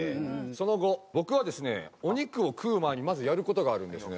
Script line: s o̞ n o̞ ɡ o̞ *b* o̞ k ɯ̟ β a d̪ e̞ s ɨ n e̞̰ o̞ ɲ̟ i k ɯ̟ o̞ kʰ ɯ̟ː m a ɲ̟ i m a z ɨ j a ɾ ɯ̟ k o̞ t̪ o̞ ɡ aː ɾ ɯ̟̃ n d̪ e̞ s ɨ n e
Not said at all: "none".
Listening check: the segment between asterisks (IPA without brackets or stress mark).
b